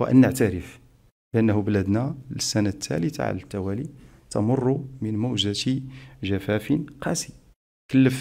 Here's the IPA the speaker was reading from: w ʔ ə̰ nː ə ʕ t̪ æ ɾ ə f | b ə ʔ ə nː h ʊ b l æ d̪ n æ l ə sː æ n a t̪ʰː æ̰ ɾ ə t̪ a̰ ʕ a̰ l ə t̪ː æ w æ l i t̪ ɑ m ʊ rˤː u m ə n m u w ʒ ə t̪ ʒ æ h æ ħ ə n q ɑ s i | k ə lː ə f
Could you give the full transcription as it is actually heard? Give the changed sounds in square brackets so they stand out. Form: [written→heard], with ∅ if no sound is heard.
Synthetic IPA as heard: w ʔ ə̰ nː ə ʕ t̪ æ ɾ ə f | b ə ʔ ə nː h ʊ b l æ d̪ n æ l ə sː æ n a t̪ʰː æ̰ [ɾ→l] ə t̪ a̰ ʕ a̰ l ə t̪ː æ w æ l i t̪ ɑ m ʊ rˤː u m ə n m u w ʒ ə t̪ ʒ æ [h→f] æ [ħ→f] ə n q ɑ s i | k ə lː ə f